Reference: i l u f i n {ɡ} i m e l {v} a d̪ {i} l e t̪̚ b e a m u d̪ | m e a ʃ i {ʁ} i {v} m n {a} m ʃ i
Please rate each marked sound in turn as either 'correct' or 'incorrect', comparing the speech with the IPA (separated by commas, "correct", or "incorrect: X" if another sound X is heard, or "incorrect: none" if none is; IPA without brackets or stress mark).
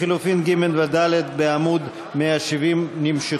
correct, correct, incorrect: a, incorrect: v, incorrect: none, incorrect: i